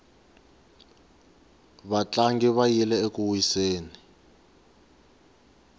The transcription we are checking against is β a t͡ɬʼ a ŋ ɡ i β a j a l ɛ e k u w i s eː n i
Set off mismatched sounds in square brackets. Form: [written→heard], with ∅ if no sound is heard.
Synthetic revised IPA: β a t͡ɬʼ a ŋ ɡ i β a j [a→i] l ɛ e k u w i s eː n i